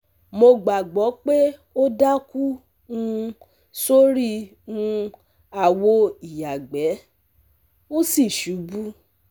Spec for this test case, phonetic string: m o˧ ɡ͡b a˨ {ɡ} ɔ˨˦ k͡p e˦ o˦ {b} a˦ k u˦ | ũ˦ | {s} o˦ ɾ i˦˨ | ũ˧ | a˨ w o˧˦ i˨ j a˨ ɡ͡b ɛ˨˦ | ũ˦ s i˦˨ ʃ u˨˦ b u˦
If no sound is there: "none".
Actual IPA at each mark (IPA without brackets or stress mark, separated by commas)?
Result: ɡ͡b, d, s